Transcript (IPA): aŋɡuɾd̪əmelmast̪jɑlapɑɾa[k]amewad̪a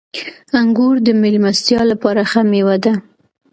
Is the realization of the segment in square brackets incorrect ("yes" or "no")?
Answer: yes